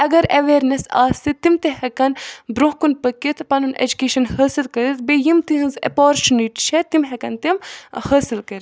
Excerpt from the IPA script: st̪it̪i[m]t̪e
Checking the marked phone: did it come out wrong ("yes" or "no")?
no